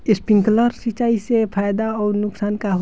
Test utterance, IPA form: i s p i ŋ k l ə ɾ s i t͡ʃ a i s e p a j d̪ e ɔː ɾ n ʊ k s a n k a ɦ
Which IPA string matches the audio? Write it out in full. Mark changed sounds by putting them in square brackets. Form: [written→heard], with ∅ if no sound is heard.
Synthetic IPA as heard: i s p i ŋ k l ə ɾ s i t͡ʃ a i s e [p→pʰ] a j d̪ [e→a] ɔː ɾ n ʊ k s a n k a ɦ